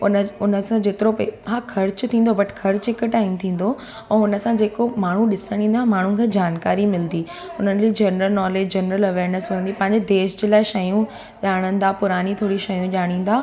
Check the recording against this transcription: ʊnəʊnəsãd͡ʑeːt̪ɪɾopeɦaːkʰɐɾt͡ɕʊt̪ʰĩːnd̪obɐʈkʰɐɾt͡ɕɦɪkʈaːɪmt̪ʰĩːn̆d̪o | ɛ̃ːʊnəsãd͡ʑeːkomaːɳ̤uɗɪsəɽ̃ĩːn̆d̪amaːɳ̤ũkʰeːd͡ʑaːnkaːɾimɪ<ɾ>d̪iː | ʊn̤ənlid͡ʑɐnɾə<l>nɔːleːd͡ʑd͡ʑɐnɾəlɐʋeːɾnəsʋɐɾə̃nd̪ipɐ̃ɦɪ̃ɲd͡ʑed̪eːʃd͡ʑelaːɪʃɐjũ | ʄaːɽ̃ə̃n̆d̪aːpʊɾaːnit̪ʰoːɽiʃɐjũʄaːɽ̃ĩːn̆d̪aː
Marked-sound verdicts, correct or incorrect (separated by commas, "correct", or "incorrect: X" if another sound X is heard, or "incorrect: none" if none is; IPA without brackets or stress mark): incorrect: l, correct